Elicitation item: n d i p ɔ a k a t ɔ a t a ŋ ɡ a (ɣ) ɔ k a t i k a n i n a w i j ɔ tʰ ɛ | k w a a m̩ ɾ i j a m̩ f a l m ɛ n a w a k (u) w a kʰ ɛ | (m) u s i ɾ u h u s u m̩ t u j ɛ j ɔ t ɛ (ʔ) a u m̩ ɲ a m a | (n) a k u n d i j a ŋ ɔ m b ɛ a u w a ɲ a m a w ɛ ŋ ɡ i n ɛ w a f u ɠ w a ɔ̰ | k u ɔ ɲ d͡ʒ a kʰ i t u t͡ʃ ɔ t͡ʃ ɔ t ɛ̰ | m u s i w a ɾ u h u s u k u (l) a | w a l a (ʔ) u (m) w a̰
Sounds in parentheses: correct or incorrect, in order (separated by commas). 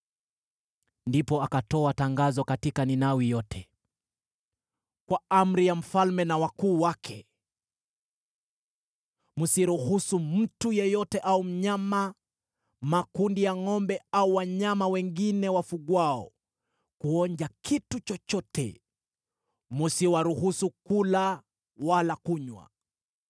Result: incorrect, incorrect, correct, correct, incorrect, correct, incorrect, incorrect